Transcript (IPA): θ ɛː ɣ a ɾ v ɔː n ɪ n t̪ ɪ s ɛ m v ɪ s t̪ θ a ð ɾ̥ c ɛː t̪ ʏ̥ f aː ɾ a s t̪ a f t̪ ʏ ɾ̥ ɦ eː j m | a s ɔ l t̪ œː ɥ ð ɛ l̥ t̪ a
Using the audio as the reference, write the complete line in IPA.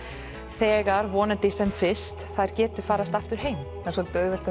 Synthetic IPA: θ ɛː ɣ a ɾ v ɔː n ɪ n t̪ ɪ s ɛ m f ɪ s t̪ θ a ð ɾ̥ c ɛː t̪ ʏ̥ f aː ɾ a s t̪ a f t̪ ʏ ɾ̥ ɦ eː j m | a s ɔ l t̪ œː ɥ v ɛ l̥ t̪ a